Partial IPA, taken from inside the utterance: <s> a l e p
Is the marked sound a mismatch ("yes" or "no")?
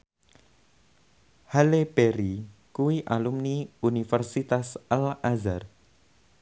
yes